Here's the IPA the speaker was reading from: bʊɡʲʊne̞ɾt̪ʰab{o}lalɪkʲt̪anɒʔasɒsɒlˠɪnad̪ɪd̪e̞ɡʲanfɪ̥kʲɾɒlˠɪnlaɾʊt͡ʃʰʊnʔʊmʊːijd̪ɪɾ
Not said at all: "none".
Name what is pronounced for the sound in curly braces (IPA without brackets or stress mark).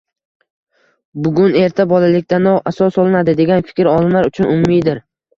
ɒ